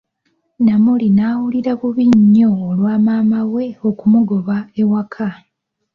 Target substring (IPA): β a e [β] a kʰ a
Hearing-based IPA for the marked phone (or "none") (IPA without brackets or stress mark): w